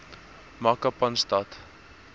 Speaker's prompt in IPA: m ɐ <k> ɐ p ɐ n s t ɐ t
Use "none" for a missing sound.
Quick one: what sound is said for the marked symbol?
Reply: k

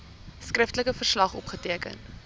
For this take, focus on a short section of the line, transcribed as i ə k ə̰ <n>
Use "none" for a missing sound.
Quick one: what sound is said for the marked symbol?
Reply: n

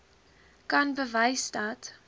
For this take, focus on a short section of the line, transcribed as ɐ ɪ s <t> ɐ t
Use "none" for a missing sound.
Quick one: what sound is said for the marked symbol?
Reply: d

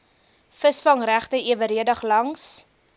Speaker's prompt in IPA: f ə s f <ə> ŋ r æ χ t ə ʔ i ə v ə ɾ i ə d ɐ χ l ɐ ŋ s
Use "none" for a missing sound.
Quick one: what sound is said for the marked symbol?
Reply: ɐ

